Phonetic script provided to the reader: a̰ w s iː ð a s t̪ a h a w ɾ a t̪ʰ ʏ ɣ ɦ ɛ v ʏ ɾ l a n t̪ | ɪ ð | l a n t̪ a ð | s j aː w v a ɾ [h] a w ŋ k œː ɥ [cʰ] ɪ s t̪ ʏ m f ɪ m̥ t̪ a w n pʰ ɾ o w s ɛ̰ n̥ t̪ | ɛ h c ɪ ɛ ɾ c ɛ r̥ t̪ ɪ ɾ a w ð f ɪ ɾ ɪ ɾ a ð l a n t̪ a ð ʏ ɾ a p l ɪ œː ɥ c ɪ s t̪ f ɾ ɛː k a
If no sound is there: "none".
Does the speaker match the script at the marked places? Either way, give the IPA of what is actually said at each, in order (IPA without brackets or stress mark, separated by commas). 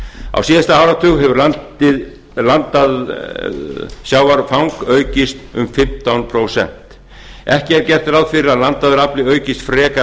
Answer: f, c